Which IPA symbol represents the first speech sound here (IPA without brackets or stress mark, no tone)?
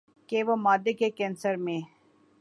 k